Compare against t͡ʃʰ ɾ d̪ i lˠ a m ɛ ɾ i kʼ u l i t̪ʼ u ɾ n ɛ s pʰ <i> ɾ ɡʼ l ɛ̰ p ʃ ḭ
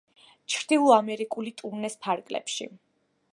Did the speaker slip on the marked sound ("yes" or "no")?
yes